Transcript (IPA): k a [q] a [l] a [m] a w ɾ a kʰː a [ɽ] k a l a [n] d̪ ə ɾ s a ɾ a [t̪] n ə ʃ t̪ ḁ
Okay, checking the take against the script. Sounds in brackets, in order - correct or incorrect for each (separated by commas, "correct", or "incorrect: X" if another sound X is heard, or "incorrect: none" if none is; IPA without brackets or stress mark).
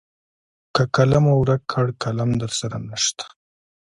incorrect: k, correct, correct, correct, incorrect: m, incorrect: none